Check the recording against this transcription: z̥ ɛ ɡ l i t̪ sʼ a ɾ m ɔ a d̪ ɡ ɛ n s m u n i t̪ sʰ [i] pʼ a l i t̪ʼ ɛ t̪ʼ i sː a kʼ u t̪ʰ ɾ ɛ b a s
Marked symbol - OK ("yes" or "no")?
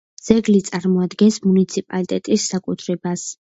yes